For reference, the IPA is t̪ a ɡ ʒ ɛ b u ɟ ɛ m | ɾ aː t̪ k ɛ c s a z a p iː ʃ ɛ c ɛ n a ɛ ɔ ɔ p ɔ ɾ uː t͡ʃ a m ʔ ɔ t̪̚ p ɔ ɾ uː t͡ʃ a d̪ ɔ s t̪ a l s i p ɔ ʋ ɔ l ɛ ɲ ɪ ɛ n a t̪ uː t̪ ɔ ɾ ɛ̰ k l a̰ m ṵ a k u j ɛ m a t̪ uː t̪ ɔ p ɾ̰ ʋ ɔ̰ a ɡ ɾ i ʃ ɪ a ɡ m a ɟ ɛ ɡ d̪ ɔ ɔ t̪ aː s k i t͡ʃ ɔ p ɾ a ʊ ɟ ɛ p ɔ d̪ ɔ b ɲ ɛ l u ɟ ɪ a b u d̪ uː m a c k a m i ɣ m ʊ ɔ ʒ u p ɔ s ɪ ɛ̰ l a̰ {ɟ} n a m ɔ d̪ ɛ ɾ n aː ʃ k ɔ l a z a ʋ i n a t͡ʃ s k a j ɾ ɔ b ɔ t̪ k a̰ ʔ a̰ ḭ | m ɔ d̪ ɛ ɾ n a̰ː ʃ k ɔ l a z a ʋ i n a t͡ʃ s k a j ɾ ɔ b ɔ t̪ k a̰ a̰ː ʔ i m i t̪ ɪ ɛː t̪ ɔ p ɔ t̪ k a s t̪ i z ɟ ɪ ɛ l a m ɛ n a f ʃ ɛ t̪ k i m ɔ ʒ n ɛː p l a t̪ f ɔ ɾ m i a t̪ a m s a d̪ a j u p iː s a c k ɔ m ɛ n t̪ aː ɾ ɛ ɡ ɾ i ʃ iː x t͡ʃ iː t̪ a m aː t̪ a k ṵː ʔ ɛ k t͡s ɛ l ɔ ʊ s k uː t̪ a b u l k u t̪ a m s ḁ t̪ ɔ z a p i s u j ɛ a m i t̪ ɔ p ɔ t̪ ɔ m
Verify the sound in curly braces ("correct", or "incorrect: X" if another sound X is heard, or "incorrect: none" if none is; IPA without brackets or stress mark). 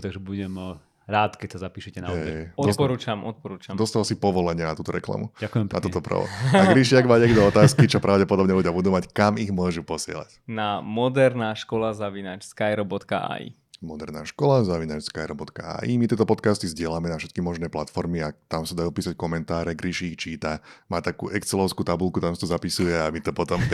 incorrect: c